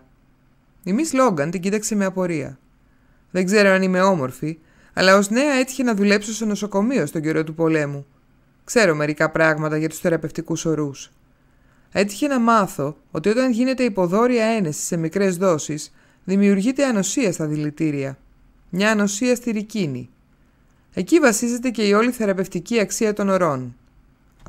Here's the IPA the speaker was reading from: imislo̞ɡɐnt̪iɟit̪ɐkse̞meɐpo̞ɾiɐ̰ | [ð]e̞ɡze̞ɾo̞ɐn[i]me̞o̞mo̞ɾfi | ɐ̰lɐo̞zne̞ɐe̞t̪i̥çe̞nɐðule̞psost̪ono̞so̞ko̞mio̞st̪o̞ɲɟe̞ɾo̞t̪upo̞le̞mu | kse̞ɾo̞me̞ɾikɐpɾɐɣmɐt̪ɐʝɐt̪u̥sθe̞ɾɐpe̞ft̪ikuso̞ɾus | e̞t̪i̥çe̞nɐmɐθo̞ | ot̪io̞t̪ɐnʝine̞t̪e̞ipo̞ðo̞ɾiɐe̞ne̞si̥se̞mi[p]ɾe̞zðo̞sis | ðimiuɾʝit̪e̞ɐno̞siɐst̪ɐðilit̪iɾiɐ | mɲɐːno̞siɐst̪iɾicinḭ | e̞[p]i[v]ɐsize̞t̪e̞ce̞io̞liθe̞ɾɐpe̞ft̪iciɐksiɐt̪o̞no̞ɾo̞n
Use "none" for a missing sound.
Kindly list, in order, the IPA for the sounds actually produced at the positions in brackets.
ð, i, k, c, v

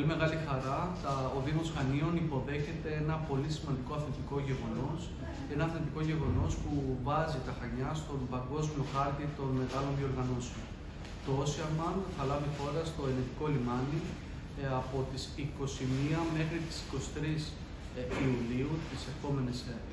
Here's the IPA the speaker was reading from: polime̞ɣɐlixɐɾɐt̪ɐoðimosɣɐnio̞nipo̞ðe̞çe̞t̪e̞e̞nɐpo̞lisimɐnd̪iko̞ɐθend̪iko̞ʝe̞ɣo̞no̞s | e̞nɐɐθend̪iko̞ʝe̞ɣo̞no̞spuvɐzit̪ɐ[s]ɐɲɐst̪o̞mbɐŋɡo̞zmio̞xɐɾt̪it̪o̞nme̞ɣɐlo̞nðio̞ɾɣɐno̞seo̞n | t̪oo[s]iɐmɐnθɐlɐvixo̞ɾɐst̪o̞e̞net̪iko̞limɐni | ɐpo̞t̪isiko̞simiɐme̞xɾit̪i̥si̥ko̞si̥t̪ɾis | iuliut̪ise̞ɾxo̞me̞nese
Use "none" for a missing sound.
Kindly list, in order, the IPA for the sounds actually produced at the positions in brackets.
x, s

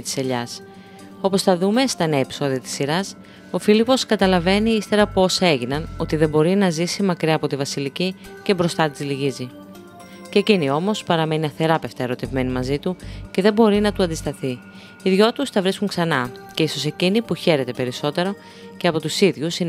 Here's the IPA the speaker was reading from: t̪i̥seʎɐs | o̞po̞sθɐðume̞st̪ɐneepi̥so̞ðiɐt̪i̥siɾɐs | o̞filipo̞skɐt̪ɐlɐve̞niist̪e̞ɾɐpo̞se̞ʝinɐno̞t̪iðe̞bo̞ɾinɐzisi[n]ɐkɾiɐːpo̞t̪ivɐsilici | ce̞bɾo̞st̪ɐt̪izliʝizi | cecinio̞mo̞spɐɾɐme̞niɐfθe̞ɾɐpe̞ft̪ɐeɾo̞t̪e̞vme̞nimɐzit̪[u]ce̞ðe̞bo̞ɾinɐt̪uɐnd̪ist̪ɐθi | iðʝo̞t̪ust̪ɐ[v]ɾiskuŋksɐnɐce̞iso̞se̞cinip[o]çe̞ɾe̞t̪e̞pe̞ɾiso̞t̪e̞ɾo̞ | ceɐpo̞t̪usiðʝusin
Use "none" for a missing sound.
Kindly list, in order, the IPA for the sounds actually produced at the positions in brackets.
m, u, v, u

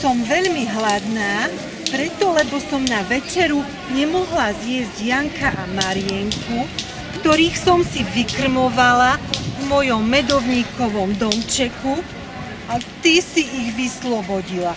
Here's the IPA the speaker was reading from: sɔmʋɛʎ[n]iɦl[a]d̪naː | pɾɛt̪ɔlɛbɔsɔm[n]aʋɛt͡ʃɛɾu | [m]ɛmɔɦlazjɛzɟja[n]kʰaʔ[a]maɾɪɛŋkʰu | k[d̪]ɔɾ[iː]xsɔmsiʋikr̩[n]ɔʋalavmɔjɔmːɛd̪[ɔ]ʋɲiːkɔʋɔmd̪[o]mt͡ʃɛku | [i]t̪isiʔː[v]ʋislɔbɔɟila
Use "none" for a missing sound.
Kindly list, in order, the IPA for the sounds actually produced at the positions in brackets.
m, a, n, ɲ, ŋ, a, t̪, iː, m, ɔ, ɔ, a, ɣ

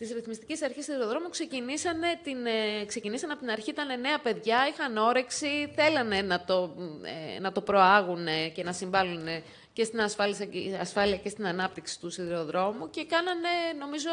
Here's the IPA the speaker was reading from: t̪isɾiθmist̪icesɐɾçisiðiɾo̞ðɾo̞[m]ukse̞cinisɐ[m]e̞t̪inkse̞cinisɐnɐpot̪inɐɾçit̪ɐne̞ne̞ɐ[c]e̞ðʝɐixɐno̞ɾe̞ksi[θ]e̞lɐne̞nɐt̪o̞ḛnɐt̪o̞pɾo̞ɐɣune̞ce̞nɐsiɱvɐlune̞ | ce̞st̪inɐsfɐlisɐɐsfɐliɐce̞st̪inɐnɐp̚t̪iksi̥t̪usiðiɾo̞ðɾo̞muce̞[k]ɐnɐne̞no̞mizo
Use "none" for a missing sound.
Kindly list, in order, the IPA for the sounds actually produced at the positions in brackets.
m, n, p, θ, k

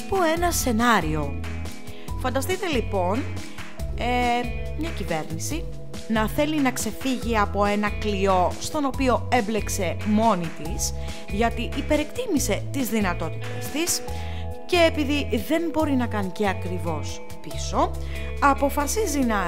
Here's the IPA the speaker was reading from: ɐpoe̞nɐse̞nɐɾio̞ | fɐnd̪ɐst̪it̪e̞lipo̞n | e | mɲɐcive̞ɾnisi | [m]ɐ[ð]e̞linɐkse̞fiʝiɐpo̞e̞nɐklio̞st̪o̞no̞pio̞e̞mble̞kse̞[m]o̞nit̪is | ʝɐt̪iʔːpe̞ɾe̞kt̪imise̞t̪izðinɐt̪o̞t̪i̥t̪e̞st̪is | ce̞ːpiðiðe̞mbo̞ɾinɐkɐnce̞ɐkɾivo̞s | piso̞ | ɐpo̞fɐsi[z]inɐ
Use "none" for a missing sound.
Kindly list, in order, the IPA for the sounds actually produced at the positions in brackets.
n, θ, m, z

